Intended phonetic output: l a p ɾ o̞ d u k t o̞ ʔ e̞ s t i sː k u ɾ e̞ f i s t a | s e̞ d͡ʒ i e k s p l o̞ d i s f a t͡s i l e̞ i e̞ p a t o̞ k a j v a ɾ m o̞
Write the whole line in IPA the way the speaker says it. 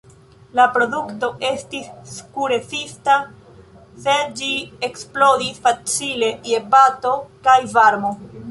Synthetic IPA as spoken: l a p ɾ o̞ d u k t o̞ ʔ e̞ s t i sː k u ɾ e̞ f i s t a | s e̞ d͡ʒ i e k s p l o̞ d i s f a t͡s i l e̞ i e̞ p a t o̞ k a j v a ɾ m o̞